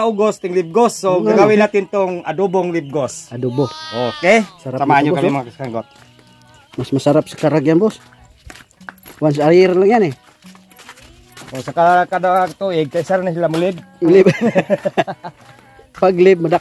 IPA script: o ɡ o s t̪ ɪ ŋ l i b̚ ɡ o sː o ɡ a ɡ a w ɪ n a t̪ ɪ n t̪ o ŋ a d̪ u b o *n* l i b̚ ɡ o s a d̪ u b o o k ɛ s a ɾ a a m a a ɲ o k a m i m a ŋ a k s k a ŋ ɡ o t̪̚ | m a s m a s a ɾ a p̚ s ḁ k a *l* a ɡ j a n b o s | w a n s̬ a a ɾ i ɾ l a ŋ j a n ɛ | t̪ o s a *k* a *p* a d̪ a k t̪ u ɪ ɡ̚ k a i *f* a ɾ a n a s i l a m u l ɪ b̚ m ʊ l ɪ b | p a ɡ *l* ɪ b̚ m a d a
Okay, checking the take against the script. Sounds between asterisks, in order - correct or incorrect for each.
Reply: incorrect: ŋ, incorrect: ɾ, correct, incorrect: k, incorrect: s, correct

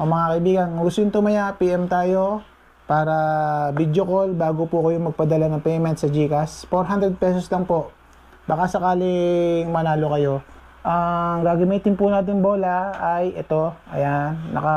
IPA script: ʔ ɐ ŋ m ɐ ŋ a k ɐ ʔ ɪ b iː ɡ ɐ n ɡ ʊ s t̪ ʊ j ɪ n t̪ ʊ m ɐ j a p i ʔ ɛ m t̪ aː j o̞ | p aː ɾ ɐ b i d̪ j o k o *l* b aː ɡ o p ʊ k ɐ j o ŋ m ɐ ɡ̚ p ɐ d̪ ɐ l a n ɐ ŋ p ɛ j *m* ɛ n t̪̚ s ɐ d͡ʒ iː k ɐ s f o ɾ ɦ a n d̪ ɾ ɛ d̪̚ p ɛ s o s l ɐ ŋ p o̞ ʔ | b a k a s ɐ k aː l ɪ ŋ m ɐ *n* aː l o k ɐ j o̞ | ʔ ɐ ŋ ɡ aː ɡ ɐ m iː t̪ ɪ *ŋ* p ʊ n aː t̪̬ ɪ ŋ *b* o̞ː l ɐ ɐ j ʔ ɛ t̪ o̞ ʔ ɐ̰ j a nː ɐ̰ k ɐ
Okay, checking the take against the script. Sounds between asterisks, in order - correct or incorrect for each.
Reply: correct, correct, correct, incorrect: n, correct

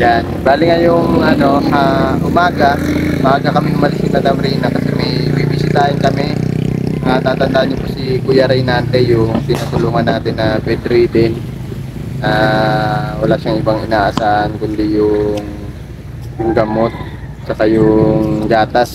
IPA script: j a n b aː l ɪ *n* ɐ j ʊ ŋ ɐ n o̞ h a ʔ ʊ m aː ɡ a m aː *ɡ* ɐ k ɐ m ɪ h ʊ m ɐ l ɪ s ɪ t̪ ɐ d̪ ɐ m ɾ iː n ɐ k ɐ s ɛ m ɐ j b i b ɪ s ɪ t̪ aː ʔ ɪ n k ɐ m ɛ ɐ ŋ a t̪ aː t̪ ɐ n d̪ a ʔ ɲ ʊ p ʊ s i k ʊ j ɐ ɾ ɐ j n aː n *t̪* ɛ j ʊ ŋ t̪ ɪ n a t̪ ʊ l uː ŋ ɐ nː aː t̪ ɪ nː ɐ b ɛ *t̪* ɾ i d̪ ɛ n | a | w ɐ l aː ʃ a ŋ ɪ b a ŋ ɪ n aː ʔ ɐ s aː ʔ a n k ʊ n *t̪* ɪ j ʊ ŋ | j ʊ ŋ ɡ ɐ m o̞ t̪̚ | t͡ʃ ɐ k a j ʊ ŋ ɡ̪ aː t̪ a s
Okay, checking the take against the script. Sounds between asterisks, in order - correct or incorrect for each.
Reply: incorrect: ŋ, correct, correct, incorrect: d̪, incorrect: d̪

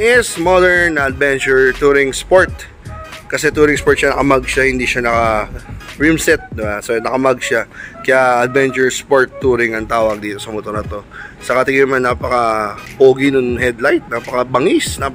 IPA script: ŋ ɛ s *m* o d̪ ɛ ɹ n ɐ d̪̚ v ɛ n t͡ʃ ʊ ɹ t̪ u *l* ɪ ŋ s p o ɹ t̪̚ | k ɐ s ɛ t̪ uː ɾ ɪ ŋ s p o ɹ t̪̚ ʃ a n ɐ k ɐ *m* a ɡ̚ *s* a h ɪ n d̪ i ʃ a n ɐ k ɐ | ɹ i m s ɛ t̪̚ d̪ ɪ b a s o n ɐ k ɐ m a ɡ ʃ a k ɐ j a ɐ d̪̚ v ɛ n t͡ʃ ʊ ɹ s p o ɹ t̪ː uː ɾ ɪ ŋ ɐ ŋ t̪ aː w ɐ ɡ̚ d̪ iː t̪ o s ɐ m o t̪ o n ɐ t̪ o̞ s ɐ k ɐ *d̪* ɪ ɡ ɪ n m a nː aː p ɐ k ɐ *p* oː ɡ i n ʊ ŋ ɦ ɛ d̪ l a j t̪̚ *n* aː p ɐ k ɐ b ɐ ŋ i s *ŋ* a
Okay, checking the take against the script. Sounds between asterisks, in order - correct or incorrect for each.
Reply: correct, incorrect: ɾ, correct, incorrect: ʃ, incorrect: t̪, correct, correct, incorrect: n

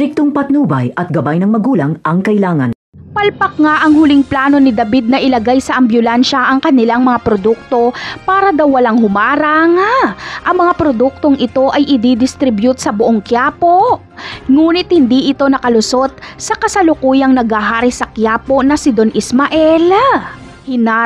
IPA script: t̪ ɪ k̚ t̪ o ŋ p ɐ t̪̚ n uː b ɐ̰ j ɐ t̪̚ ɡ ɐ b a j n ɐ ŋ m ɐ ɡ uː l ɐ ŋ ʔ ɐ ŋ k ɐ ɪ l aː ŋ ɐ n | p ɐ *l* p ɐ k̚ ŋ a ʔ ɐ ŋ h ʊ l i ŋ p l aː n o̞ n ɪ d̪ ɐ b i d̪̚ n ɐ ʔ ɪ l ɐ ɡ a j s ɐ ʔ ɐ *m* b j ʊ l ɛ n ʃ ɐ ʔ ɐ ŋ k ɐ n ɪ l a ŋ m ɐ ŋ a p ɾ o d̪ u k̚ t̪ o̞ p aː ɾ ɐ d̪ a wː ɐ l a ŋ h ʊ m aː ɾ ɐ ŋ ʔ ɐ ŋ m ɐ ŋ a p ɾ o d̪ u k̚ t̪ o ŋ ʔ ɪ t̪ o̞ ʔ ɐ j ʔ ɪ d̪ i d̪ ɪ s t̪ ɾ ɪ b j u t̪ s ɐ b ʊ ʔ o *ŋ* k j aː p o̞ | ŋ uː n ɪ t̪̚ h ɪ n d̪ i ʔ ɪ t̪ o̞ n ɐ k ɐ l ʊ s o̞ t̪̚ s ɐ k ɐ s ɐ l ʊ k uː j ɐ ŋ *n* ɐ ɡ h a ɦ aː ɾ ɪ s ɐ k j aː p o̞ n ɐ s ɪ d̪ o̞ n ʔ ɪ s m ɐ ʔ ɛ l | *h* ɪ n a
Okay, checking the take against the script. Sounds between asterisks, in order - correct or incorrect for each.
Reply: correct, correct, correct, correct, correct

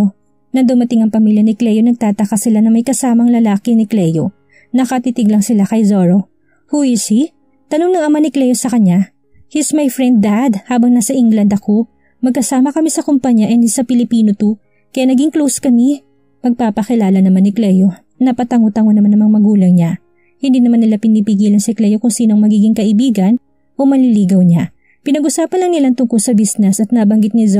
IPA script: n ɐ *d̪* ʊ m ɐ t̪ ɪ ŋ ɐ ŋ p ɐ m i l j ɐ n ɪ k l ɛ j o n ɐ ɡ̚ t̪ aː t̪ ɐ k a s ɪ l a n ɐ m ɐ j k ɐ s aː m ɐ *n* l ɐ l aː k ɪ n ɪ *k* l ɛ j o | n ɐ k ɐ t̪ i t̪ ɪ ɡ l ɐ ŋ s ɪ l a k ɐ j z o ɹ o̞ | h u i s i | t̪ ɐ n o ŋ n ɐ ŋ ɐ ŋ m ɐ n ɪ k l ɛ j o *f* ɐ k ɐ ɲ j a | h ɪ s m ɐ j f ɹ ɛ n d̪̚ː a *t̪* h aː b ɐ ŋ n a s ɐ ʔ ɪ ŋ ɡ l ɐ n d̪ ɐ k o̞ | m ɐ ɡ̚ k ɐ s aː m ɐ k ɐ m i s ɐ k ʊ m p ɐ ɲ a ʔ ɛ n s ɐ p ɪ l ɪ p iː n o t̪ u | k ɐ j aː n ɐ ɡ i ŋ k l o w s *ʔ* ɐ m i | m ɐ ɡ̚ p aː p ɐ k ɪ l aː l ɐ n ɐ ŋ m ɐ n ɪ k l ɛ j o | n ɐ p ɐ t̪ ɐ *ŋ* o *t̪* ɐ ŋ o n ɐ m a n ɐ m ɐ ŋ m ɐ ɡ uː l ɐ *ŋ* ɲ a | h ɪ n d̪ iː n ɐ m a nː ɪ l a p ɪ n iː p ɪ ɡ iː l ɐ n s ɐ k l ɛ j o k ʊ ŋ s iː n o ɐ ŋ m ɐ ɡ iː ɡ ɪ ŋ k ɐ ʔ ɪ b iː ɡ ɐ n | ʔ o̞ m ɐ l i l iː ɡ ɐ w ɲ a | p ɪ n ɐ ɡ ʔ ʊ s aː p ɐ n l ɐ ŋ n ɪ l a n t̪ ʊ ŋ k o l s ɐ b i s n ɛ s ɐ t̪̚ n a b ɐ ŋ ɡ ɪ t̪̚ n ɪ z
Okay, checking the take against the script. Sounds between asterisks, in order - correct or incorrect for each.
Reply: correct, incorrect: ŋ, correct, incorrect: s, incorrect: d̪, incorrect: k, correct, correct, correct

